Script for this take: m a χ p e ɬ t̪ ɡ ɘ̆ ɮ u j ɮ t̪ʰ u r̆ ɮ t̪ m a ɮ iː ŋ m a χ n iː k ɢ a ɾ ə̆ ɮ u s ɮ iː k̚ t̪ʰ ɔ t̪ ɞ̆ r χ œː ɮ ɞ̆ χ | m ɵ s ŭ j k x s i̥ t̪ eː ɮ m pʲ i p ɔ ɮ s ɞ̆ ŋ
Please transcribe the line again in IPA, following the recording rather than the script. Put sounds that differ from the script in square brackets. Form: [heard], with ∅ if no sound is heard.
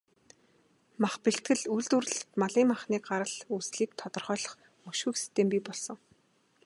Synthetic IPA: m a χ p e ɬ t̪ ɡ ɘ̆ ɮ u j ɮ [t̪] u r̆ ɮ t̪ m a ɮ iː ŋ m a χ n iː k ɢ a ɾ ə̆ ɮ u s ɮ iː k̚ t̪ʰ ɔ t̪ ɞ̆ r χ œː ɮ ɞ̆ χ | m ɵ [ʃ] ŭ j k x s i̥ t̪ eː [∅] m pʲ i p ɔ ɮ s ɞ̆ ŋ